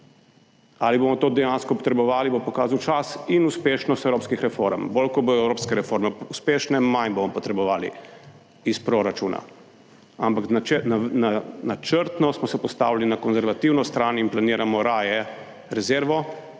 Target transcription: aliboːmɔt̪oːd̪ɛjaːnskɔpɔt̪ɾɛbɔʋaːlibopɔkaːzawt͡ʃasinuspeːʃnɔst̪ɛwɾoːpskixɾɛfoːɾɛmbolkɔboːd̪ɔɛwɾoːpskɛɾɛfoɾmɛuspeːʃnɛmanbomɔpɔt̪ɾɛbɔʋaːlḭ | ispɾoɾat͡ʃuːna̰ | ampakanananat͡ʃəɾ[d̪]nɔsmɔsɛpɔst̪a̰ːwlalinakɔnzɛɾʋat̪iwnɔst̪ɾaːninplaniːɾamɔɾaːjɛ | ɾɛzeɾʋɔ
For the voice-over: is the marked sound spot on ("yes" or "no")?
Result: no